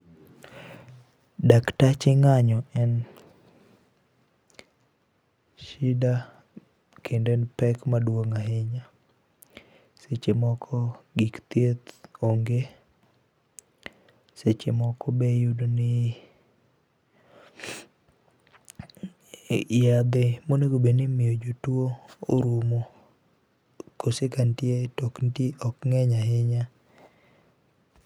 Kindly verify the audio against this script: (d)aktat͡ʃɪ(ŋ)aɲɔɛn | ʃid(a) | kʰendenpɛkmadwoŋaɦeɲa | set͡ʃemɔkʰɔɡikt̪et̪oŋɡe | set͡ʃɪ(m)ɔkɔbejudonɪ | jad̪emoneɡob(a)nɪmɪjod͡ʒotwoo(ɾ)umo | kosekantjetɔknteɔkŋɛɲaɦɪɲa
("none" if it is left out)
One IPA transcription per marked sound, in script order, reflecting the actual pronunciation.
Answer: d, ŋ, a, m, e, ɾ

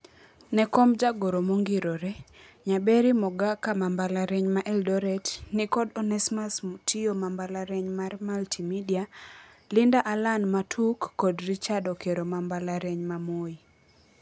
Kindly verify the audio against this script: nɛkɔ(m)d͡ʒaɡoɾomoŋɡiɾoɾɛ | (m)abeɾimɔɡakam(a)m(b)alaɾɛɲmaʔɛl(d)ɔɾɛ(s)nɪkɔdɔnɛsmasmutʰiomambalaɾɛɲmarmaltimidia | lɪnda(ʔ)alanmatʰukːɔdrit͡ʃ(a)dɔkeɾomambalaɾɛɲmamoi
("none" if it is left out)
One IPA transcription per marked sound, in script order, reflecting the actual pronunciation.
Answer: m, ɲ, a, b, d, t, ʔ, a

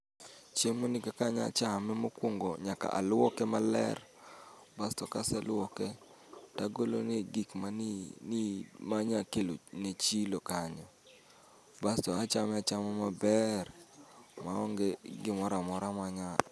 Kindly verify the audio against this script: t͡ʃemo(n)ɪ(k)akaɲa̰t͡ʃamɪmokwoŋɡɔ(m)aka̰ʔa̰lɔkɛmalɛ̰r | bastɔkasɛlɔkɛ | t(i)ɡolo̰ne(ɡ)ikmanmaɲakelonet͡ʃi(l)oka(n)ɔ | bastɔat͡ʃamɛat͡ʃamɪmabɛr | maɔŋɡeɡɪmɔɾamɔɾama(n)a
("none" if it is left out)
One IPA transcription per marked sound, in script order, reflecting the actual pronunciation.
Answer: n, k, ɲ, a, ɡ, l, ɲ, ɲ

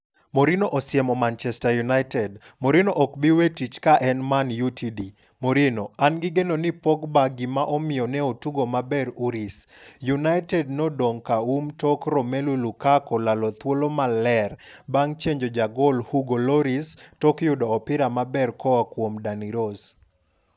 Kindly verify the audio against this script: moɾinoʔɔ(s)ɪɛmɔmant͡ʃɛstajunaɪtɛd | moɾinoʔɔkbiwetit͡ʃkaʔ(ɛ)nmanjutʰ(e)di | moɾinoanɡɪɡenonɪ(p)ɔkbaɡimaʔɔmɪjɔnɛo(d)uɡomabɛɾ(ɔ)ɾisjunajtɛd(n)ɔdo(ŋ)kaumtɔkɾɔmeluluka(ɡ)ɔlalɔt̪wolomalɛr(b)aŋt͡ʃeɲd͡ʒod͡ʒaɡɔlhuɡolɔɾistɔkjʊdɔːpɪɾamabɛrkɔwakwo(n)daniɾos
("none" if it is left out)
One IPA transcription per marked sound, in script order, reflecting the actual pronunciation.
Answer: s, ɛ, i, p, t, u, n, ŋ, k, b, m

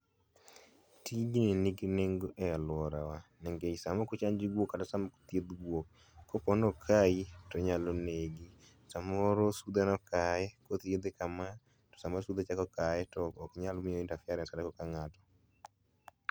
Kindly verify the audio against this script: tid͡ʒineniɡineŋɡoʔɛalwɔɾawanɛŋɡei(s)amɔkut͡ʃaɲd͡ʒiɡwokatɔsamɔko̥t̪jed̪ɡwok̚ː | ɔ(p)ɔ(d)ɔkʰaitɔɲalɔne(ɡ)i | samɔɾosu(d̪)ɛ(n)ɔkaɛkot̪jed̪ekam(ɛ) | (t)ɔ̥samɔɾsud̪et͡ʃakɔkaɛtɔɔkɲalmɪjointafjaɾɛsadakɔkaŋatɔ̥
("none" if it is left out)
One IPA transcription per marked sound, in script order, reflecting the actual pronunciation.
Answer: s, p, n, ɡ, d̪, n, a, t

